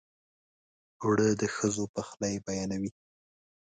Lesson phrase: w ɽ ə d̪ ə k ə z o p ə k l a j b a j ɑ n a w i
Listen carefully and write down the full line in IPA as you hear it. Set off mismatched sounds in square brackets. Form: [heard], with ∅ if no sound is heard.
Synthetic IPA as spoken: w ɽ ə d̪ ə [x] ə z o p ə [x] l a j b a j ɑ n a w i